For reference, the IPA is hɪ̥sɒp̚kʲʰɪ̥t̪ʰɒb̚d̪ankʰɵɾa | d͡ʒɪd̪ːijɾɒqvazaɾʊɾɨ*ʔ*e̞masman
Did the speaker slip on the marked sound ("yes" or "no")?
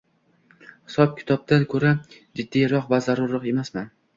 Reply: yes